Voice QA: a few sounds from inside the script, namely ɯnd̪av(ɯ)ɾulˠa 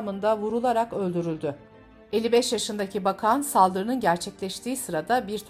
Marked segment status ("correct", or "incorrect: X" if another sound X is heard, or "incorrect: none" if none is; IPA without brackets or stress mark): incorrect: u